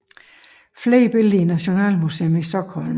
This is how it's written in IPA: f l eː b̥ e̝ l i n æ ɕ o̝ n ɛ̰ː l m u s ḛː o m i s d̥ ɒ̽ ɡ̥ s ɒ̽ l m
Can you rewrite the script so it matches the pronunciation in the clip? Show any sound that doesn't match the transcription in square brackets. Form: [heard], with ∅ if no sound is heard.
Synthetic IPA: f l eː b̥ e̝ l i n æ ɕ o̝ n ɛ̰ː l m u s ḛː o m i s d̥ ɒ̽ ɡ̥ [h] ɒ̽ l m